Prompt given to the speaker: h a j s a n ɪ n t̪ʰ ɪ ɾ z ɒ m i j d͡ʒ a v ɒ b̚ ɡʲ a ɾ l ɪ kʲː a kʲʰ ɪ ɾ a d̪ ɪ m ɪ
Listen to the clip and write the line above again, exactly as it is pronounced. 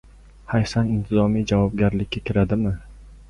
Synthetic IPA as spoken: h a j s a n ɪ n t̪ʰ ɪ z ɒ m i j d͡ʒ a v ɒ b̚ ɡʲ a ɾ l ɪ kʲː a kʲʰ ɪ ɾ a d̪ ɪ m ɪ